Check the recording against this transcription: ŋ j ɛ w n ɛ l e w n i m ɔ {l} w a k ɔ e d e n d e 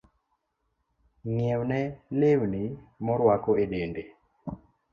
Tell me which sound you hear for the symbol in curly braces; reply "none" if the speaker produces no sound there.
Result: ɾ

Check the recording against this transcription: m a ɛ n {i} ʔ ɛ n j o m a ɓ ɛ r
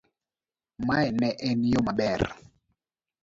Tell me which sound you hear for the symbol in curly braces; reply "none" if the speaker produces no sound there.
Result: ɛ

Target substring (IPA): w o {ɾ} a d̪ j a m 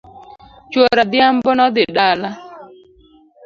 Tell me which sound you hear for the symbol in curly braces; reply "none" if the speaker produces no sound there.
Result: ɾ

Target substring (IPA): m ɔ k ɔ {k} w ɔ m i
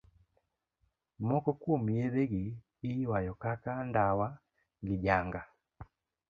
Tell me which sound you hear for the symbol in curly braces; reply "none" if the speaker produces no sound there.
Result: k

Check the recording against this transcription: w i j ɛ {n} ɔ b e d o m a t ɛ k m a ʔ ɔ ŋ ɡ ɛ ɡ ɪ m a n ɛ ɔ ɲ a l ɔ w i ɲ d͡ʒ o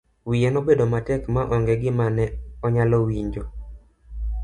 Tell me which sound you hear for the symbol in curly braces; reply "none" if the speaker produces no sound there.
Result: n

